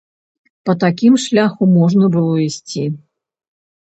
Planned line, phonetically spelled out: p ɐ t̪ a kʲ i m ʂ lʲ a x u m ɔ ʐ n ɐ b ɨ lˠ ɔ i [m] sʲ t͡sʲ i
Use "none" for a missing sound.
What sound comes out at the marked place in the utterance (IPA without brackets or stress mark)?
none